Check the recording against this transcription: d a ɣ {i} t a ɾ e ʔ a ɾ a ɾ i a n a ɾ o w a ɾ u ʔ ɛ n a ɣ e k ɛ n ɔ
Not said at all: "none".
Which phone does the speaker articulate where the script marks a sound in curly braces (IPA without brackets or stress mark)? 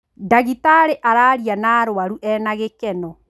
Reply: i